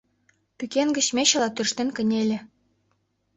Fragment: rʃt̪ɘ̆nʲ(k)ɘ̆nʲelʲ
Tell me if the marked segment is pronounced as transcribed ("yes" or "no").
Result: yes